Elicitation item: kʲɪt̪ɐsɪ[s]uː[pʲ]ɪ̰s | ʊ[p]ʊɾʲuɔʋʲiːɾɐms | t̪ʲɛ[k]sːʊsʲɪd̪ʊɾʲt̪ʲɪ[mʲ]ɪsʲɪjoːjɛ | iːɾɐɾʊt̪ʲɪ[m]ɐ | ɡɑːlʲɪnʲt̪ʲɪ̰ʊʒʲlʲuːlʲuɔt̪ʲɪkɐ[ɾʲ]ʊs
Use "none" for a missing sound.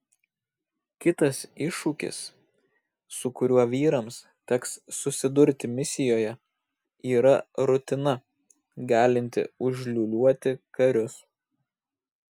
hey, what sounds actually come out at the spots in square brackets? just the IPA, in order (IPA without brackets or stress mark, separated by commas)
ʃ, kʲ, k, k, mʲ, n, ɾʲ